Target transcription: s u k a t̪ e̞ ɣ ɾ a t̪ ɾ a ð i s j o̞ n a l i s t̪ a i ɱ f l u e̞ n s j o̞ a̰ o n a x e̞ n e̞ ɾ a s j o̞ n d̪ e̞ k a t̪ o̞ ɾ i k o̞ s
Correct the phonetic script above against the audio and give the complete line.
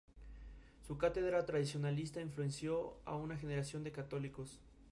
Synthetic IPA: s u k a t̪ e̞ ð ɾ a t̪ ɾ a ð i s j o̞ n a l i s t̪ a i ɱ f l u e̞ n s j o̞ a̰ u n a x e̞ n e̞ ɾ a s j o̞ n d̪ e̞ k a t̪ o̞ l i k o̞ s